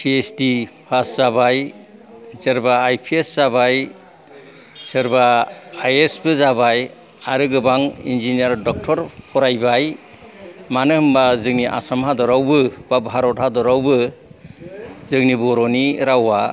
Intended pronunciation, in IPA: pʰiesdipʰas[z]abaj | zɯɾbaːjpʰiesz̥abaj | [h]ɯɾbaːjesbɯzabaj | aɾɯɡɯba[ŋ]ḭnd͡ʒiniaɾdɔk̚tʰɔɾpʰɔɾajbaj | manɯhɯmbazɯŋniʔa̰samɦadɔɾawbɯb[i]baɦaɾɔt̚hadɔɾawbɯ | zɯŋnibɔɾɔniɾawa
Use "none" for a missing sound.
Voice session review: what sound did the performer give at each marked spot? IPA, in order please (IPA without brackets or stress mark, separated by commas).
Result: z, s, ŋ, a